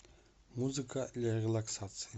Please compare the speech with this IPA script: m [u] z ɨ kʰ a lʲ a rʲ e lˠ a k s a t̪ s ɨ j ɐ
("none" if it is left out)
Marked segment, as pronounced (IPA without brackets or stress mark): u